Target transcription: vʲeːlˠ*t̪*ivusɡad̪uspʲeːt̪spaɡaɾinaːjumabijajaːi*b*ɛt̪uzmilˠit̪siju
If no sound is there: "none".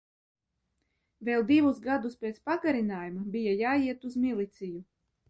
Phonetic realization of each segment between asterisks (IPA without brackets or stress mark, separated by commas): d̪, none